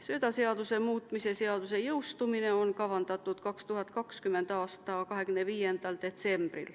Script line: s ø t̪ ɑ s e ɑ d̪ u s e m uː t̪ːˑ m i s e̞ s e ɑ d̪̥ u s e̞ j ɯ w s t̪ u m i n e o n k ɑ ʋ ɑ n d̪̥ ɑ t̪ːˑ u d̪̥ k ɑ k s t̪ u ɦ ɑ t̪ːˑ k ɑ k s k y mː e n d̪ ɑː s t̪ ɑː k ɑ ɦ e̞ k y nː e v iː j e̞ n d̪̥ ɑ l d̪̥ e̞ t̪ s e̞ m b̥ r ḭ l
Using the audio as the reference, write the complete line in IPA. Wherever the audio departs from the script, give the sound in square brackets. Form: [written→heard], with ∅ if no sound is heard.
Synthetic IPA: s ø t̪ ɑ s e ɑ d̪ u s e m uː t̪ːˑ m i s e̞ s e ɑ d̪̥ u s e̞ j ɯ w s t̪ u m i n e o n k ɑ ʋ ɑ n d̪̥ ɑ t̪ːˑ u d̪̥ k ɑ k s t̪ u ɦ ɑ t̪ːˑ k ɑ k s k y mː e n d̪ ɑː s t̪ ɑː k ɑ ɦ e̞ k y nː e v iː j e̞ n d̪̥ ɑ l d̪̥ e̞ t̪ s e̞ m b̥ r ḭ l